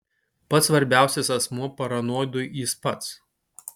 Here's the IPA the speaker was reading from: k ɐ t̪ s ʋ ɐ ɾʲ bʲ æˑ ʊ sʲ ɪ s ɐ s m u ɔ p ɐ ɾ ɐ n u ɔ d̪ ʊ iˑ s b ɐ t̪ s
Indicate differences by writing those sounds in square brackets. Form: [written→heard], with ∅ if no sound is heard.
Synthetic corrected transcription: [k→p] ɐ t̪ s ʋ ɐ ɾʲ bʲ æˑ ʊ sʲ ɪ s ɐ s m u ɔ p ɐ ɾ ɐ n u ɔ d̪ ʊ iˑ s [b→p] ɐ t̪ s